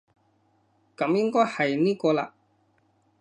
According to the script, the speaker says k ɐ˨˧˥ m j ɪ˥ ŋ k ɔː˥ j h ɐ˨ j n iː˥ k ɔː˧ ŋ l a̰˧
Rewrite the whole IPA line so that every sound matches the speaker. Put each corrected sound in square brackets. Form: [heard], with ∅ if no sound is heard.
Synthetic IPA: k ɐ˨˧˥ m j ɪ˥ ŋ k ɔː˥ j h ɐ˨ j n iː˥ k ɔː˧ [∅] l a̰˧